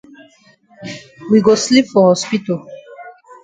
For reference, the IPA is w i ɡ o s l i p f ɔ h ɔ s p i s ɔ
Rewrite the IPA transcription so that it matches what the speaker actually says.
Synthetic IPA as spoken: w i ɡ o s l i p f ɔ h ɔ s p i t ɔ